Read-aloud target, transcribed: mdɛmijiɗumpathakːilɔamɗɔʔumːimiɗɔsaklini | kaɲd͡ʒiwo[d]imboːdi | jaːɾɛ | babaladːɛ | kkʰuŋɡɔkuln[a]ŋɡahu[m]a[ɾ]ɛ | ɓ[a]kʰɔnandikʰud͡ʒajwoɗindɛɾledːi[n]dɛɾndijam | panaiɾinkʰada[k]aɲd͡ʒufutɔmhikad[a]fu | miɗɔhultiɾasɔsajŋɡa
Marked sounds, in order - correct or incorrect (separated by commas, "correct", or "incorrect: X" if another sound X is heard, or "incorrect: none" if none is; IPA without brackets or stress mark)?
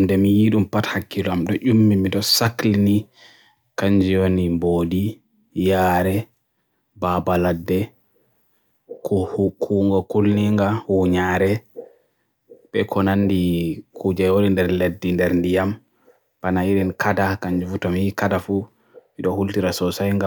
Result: incorrect: n, incorrect: i, incorrect: ɲ, correct, incorrect: ɛ, correct, correct, correct